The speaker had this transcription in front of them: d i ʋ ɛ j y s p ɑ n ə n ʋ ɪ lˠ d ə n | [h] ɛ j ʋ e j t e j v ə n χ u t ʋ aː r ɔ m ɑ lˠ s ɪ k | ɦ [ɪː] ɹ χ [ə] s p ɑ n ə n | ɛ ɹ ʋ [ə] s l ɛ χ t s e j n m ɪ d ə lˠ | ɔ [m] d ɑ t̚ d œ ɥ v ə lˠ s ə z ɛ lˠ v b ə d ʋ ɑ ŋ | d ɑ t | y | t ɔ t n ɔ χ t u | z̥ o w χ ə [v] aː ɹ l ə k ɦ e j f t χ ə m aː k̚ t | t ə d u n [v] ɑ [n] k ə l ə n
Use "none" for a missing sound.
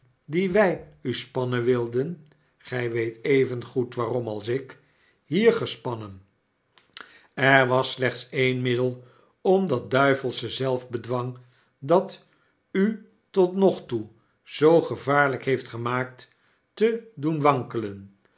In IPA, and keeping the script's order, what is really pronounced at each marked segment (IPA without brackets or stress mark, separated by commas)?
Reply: χ, iː, ə, ɑ, m, v, ʋ, ŋ